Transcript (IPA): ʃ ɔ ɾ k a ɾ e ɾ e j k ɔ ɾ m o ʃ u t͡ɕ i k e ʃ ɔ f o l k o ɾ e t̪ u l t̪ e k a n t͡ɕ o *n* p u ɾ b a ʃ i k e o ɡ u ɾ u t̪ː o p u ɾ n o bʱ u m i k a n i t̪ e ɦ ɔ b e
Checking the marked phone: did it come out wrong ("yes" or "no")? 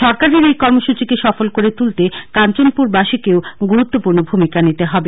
no